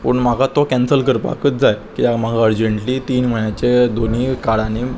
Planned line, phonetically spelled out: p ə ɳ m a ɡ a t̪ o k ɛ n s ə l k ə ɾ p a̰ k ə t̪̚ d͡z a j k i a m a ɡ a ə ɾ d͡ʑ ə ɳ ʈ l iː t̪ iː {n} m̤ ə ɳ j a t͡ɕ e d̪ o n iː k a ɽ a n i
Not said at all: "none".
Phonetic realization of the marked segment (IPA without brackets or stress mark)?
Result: n